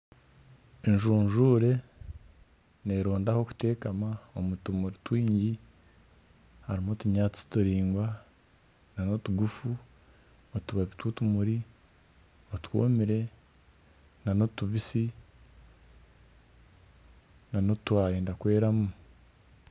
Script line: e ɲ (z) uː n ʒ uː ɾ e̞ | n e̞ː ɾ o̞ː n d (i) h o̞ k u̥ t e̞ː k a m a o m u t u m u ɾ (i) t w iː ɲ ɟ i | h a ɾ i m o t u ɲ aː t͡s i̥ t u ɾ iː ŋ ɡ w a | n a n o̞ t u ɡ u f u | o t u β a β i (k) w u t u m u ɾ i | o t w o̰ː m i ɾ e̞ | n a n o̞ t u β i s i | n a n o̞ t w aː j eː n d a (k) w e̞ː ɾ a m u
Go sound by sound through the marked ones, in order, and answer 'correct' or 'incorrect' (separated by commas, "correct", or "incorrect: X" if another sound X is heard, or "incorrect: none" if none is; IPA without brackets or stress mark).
incorrect: ʒ, incorrect: a, correct, incorrect: t, correct